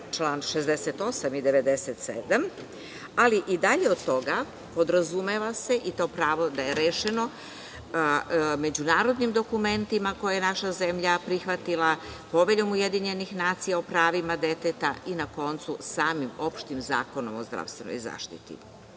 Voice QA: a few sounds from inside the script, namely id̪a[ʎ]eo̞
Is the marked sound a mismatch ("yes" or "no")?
no